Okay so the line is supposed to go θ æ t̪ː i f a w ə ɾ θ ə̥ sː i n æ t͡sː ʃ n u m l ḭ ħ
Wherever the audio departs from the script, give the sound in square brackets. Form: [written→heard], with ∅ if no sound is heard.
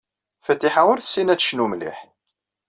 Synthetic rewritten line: [θ→f] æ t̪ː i [f→ħ] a w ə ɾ θ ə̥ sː i n æ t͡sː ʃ n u m l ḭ ħ